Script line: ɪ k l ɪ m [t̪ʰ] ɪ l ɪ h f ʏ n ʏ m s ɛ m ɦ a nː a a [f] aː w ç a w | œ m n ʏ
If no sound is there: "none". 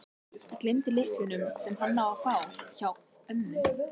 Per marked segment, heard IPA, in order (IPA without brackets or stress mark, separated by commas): t̪, f